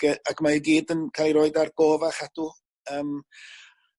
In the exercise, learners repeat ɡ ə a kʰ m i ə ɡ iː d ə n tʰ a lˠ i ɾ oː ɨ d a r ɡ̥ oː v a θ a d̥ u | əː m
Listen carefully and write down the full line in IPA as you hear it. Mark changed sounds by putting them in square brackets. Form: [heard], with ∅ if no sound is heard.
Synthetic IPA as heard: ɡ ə a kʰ m [a] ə ɡ iː d ə n [kʰ] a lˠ i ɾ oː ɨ d a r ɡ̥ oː v a [χ] a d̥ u | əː m